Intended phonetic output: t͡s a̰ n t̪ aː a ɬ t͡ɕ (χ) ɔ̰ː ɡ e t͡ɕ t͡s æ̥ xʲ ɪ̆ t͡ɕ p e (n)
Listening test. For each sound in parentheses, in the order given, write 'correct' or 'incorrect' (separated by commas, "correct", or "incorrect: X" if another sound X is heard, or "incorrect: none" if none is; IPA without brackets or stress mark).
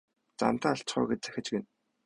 correct, correct